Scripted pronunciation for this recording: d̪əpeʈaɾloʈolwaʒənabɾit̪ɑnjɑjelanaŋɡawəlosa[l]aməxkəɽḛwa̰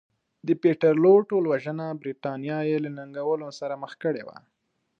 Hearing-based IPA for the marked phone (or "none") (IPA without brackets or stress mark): ɾ